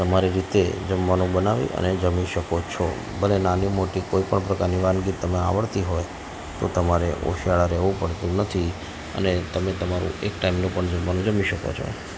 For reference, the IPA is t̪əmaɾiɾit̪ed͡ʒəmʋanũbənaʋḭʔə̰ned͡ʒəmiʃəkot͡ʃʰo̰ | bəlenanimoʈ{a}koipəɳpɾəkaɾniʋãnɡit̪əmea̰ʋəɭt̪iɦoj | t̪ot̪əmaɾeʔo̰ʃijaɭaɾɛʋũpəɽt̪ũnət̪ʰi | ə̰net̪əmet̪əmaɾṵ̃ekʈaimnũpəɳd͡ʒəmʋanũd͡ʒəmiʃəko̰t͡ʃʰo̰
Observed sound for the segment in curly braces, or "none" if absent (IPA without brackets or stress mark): i